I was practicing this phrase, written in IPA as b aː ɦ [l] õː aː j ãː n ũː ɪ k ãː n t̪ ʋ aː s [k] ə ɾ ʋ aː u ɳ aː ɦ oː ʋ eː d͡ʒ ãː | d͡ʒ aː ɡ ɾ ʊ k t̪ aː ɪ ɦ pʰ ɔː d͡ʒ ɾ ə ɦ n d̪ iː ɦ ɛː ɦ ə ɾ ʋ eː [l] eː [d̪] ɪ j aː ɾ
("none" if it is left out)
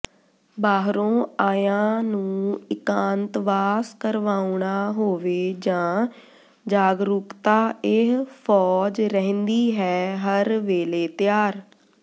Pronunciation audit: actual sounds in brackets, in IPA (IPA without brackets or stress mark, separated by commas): ɾ, k, l, t̪